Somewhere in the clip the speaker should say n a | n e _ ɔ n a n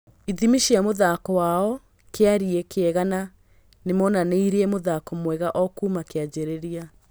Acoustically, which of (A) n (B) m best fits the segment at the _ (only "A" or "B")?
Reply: B